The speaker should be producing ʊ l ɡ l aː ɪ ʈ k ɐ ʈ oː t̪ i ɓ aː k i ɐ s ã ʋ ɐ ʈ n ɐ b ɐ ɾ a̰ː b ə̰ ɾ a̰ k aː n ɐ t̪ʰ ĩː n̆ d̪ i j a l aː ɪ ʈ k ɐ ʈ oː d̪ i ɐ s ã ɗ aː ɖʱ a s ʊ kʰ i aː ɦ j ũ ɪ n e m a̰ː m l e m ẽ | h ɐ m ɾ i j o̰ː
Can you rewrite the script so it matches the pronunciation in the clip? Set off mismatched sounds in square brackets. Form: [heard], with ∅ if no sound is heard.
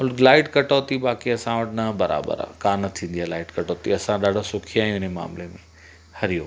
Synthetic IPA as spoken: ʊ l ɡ l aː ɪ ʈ k ɐ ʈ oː t̪ i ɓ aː k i ɐ s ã ʋ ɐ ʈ n ɐ b ɐ ɾ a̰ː b ə̰ ɾ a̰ k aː n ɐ t̪ʰ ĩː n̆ d̪ i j a l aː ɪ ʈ k ɐ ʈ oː [t̪] i ɐ s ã ɗ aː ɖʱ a s ʊ kʰ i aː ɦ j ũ ɪ n e m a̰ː m l e m ẽ | h ɐ [∅] ɾ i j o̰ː